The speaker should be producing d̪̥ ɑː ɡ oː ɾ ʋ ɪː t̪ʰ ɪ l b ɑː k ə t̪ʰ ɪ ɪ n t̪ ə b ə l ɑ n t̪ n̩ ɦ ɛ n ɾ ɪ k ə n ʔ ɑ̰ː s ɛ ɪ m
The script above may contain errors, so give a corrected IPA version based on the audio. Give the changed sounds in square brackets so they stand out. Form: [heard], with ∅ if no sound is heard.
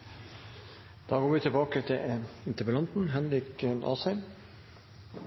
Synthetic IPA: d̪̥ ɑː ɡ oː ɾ ʋ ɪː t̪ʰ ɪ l b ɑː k ə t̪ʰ ɪ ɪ n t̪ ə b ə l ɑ n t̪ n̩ ɦ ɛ n ɾ ɪ k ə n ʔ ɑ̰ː s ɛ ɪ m